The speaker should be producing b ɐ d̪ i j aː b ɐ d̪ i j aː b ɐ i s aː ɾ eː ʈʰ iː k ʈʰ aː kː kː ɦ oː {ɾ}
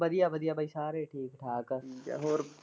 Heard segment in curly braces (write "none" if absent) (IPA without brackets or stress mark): ɾ